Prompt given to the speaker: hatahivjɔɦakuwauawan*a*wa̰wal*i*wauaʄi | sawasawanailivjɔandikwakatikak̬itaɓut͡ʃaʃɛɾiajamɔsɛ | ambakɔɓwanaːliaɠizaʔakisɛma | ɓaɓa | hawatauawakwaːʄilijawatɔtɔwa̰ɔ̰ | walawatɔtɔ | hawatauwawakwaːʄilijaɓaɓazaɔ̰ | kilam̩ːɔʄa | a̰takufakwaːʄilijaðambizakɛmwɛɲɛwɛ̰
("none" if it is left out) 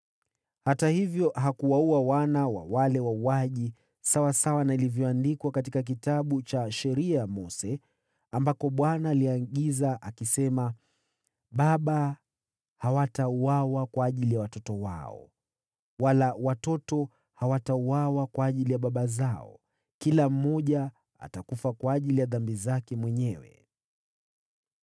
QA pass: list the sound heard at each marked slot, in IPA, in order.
a, ɛ

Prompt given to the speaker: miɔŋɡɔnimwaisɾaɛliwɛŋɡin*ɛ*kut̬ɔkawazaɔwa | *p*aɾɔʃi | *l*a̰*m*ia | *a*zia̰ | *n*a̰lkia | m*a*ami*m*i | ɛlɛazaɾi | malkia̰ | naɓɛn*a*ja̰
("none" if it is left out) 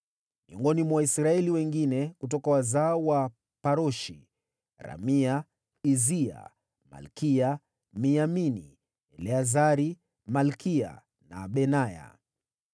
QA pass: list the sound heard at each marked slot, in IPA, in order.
ɛ, p, ɾ, m, i, m, i, n, a

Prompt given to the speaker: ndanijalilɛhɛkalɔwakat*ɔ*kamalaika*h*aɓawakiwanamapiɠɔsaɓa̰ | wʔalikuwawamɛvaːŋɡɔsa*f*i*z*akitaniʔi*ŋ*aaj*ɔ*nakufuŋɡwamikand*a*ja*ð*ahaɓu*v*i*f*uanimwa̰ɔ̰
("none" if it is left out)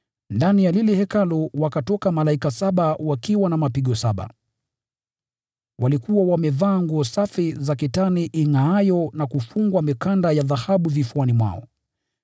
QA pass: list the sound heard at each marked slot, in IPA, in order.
ɔ, s, f, z, ŋ, ɔ, a, ð, v, f

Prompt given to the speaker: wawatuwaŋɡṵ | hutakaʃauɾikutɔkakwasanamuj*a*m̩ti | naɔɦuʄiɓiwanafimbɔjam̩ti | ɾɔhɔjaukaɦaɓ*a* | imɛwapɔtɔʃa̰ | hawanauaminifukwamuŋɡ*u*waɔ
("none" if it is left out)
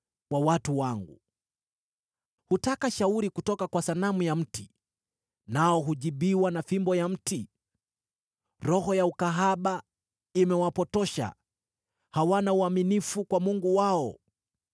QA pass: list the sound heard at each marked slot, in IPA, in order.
a, a, u

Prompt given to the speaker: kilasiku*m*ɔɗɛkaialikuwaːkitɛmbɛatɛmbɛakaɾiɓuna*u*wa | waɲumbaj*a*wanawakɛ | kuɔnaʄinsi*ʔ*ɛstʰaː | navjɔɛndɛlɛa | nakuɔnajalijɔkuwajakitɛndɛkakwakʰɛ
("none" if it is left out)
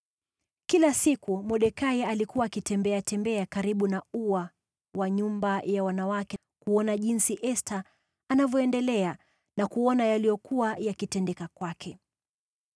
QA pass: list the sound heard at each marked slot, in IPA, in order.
m, u, a, ʔ

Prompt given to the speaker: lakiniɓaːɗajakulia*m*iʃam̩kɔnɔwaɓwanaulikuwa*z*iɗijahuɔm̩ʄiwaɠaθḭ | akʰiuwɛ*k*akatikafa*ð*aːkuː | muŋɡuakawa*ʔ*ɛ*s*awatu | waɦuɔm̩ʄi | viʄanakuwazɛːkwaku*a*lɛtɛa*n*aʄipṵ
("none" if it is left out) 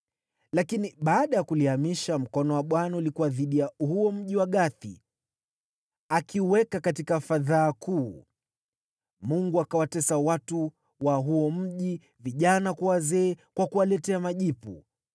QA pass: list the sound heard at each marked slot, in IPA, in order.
m, ð, k, ð, t, s, a, m

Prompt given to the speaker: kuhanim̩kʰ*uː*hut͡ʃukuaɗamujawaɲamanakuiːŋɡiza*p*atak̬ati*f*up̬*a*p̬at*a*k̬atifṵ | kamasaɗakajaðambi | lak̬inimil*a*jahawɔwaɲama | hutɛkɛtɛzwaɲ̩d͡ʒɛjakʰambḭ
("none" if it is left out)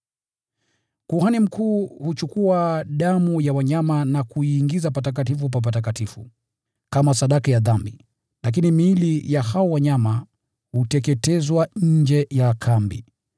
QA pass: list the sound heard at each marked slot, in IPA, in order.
uː, p, f, a, a, i

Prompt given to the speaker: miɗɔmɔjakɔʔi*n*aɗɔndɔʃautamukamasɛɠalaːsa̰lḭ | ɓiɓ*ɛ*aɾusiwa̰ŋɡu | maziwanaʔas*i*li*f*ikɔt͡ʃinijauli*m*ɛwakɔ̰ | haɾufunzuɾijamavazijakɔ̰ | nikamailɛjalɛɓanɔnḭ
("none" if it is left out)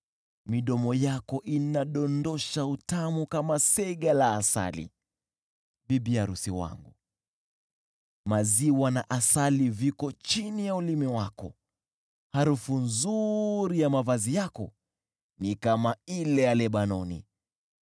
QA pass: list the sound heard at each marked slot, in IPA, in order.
n, i, a, v, m

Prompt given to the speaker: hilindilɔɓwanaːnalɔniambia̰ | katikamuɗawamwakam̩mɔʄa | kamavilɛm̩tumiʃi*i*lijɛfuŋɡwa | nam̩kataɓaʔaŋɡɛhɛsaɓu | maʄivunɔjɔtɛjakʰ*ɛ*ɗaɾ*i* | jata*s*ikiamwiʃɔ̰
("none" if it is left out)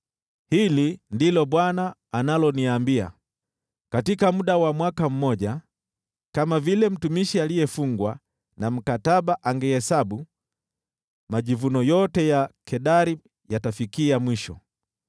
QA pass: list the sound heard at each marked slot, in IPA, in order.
a, ɛ, i, f

